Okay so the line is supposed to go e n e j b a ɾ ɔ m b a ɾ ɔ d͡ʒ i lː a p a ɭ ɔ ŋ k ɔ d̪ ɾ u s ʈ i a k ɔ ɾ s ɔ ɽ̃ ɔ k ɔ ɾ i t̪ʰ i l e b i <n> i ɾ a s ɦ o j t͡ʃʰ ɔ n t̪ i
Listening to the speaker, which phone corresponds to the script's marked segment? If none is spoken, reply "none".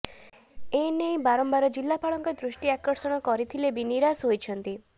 n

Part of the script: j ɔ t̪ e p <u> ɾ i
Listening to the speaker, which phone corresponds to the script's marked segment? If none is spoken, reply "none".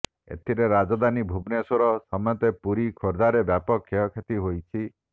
u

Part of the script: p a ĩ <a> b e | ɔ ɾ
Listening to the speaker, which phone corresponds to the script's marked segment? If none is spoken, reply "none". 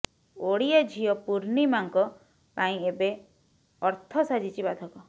e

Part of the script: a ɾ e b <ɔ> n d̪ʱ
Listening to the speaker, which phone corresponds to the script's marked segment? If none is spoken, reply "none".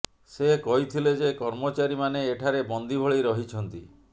ɔ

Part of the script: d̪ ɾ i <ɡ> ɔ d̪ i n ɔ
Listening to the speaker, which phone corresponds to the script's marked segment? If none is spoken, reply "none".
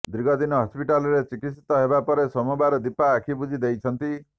ɡ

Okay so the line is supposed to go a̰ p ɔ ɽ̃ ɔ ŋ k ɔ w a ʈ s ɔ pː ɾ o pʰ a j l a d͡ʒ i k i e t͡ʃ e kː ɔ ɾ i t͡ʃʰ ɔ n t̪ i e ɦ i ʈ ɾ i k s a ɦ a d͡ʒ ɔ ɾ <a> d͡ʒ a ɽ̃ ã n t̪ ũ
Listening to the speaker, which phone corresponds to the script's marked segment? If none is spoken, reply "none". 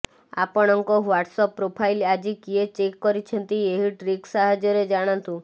e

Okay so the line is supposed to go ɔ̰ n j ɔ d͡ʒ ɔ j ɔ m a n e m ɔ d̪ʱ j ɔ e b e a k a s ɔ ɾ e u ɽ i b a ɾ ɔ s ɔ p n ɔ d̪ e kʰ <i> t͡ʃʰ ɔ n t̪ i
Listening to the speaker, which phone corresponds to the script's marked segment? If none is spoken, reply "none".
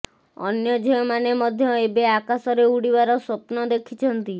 i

